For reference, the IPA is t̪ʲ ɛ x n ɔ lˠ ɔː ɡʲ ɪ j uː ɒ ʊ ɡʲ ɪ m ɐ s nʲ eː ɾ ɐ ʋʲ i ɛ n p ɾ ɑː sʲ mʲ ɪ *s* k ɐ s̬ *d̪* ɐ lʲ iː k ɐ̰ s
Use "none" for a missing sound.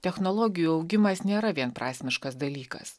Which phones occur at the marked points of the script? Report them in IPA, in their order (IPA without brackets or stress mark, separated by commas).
ʃ, d̪